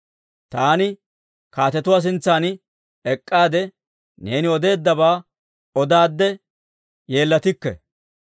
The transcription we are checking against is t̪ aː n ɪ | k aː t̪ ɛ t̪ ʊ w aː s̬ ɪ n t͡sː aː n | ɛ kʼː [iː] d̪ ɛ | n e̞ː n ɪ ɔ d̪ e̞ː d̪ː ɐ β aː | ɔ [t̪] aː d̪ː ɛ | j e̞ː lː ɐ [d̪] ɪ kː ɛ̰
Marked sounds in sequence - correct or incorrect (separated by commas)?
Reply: incorrect, incorrect, incorrect